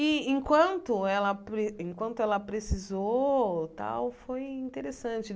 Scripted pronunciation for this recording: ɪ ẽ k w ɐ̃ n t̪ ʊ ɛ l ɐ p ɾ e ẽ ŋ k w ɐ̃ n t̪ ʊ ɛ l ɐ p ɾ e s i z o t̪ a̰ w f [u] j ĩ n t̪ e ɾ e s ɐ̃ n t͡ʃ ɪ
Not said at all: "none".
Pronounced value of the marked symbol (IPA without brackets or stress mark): o